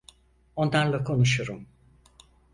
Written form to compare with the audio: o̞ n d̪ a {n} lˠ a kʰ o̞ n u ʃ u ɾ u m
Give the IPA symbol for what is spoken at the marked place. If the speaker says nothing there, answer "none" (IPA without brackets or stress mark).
n